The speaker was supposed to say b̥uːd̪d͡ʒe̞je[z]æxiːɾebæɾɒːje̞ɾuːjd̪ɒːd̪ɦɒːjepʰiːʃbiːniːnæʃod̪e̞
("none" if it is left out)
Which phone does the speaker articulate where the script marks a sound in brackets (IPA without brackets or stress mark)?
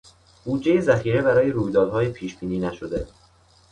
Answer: z